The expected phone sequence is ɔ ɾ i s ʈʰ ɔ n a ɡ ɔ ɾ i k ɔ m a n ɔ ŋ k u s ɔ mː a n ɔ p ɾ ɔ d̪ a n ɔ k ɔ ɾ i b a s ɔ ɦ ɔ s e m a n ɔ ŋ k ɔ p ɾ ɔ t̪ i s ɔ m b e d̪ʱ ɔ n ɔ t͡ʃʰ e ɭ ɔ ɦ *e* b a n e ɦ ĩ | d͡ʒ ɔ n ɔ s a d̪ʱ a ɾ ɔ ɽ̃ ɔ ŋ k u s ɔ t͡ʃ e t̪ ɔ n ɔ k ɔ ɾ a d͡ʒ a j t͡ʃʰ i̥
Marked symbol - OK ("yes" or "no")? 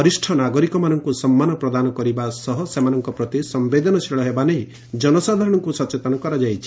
yes